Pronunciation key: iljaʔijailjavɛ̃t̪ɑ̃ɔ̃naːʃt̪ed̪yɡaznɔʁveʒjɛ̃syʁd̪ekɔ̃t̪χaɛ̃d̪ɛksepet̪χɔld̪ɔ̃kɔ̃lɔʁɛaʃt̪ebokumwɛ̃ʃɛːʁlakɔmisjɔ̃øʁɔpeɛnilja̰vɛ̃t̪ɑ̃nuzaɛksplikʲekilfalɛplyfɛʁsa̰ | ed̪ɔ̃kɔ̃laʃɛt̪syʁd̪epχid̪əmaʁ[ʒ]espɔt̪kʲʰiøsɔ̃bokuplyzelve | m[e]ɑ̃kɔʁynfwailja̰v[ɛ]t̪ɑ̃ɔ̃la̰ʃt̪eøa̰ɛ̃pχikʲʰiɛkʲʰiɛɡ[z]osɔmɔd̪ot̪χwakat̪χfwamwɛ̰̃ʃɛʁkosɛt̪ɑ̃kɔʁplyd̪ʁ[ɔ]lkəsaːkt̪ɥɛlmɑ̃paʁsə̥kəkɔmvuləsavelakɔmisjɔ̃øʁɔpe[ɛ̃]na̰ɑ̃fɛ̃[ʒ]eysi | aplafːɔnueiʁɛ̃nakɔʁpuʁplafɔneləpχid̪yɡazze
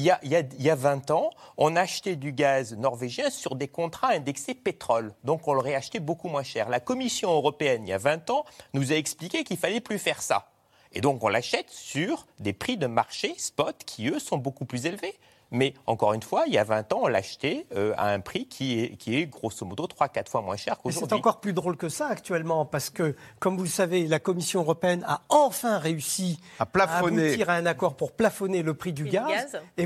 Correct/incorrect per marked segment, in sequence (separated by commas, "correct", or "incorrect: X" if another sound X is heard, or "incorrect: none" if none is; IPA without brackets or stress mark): incorrect: ʃ, incorrect: ɛ, incorrect: ɛ̃, incorrect: ʁ, incorrect: o, incorrect: ɛ, incorrect: ʁ